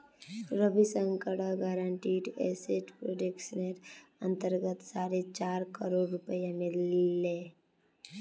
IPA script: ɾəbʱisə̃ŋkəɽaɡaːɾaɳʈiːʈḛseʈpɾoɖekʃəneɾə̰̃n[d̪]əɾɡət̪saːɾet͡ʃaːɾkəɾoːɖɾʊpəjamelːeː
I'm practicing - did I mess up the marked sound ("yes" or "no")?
yes